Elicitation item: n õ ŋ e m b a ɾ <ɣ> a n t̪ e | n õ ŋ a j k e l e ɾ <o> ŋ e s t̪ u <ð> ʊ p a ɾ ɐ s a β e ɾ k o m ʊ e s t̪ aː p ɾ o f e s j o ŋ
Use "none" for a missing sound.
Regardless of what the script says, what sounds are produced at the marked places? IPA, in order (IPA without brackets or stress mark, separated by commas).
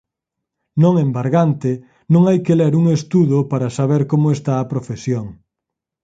ɣ, u, ð